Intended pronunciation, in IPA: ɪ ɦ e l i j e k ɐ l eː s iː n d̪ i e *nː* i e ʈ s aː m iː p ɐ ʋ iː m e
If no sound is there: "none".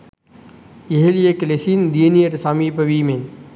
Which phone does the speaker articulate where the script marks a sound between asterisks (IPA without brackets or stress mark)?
n